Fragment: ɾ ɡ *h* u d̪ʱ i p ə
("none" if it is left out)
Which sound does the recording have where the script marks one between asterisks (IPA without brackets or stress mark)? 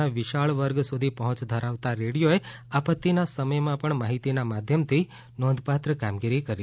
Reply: s